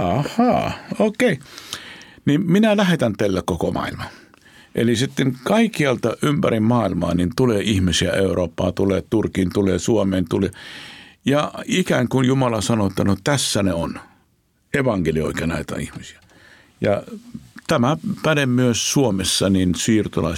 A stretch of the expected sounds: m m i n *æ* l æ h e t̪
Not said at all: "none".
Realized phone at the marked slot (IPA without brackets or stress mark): æ